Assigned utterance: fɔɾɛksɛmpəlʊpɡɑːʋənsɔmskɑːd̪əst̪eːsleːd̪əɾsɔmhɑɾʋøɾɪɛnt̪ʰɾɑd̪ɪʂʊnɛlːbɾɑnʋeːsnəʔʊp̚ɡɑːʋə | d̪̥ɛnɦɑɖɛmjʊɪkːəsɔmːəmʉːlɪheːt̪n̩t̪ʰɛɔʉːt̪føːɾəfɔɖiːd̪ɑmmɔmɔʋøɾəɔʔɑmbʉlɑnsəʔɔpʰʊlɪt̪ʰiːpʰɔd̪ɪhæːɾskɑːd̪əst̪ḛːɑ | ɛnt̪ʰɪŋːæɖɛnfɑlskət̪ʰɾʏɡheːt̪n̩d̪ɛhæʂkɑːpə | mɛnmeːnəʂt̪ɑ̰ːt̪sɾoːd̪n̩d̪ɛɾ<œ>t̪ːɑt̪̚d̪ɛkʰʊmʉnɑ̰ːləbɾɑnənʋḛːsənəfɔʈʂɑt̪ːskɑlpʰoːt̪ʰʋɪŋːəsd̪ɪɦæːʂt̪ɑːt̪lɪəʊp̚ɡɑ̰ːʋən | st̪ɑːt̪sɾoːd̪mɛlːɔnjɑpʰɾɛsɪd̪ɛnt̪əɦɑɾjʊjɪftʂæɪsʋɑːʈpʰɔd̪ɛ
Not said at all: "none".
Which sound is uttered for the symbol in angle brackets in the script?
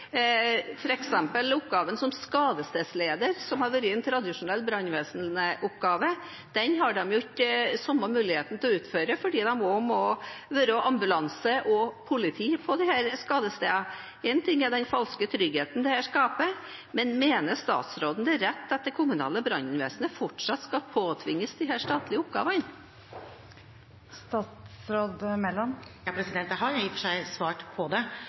ɛ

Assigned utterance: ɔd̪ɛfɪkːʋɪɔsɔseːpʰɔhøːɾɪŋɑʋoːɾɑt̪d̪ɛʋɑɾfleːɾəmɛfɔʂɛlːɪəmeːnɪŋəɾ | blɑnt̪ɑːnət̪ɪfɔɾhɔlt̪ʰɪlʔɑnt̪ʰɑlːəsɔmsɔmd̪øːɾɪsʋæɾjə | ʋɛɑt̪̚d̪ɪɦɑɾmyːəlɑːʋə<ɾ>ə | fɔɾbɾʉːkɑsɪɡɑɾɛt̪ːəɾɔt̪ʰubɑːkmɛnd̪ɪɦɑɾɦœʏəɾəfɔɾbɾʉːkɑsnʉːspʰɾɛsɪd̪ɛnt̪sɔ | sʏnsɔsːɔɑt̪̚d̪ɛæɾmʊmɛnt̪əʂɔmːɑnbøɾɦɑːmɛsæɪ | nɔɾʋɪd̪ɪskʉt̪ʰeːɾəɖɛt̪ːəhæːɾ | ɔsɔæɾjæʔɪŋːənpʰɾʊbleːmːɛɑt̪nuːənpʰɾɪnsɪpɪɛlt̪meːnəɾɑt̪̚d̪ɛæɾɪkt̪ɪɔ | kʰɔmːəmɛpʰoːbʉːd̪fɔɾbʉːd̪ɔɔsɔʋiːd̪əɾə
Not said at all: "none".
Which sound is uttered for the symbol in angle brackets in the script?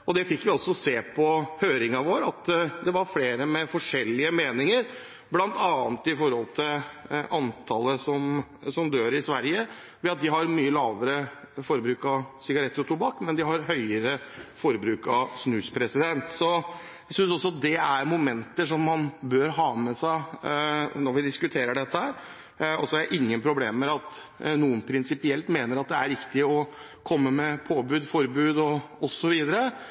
ɾ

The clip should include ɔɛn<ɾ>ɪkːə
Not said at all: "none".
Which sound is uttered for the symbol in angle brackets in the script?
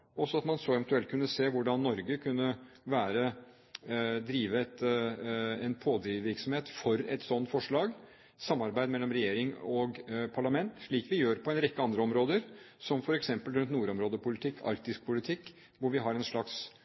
ɾ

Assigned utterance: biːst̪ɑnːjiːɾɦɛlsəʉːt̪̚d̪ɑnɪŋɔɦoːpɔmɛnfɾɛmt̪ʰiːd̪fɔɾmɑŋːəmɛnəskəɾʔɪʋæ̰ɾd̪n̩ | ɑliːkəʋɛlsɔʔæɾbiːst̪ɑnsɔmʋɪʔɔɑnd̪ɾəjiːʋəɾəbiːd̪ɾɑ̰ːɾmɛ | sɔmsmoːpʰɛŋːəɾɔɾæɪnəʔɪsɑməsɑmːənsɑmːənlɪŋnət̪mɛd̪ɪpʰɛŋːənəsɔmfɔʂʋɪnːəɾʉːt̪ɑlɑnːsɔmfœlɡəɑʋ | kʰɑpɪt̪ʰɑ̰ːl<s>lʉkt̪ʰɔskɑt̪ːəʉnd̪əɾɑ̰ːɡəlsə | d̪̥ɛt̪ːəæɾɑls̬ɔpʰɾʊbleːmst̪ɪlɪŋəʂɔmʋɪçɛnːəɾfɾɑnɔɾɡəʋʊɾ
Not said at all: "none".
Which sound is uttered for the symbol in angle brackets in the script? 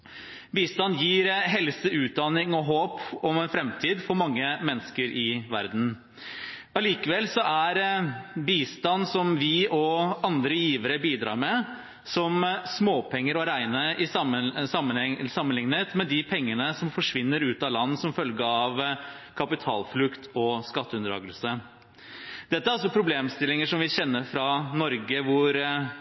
f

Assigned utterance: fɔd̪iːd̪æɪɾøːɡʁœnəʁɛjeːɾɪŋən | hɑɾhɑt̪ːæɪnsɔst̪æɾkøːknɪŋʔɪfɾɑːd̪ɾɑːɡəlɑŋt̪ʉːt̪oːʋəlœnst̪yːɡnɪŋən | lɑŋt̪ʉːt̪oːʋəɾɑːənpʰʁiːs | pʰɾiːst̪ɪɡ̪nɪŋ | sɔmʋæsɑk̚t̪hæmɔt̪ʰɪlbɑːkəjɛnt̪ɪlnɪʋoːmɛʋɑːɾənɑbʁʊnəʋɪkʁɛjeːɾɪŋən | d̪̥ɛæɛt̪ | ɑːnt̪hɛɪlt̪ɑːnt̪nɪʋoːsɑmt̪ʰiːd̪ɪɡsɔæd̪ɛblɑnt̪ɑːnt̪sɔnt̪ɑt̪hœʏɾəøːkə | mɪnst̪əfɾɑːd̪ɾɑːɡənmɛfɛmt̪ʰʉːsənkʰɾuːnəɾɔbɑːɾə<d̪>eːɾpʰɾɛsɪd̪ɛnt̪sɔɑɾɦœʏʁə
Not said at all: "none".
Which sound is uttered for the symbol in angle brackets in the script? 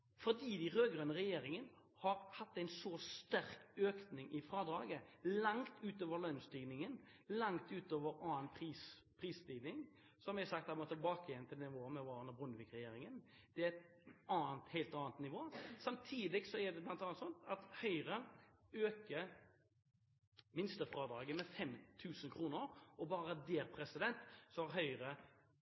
d̪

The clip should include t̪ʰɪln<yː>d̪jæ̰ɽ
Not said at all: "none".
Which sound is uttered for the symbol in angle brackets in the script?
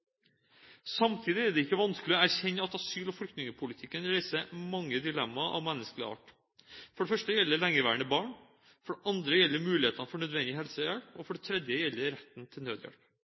øː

